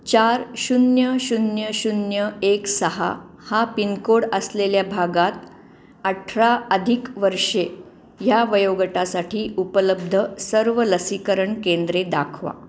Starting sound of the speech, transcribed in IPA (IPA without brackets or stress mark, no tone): t͡ɕ